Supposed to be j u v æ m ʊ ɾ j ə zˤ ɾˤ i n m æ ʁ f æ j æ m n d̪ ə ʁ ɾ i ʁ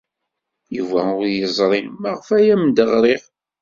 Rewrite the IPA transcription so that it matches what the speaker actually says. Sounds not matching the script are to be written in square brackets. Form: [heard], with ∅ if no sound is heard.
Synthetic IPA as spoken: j u v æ [∅] ʊ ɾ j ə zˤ ɾˤ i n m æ ʁ f æ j æ m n d̪ ə ʁ ɾ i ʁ